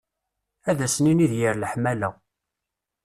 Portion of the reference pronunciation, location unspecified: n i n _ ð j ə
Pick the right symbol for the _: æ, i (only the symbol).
i